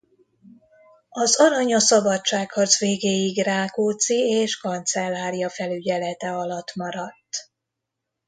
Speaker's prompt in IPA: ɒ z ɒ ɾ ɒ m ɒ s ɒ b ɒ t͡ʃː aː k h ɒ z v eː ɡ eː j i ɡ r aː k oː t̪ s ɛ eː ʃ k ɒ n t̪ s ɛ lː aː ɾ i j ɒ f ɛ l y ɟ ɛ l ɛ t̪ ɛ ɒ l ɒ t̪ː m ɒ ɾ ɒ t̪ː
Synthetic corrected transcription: ɒ z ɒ ɾ ɒ ɲ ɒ s ɒ b ɒ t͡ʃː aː k h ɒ z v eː ɡ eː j i ɡ r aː k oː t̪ s i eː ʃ k ɒ n t̪ s ɛ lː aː ɾ i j ɒ f ɛ l y ɟ ɛ l ɛ t̪ ɛ ɒ l ɒ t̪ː m ɒ ɾ ɒ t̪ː